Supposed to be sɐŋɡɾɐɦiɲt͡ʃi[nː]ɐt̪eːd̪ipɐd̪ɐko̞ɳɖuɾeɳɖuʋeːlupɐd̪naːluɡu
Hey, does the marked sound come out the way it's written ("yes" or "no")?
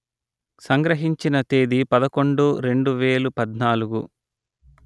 no